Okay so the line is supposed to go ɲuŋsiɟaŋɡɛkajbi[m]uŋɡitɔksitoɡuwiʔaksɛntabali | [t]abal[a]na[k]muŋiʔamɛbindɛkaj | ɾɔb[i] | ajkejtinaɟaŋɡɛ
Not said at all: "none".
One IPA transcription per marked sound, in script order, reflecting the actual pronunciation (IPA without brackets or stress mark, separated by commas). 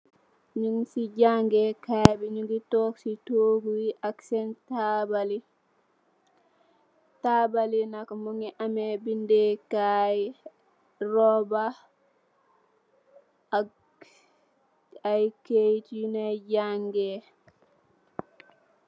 ɲ, t, i, k, a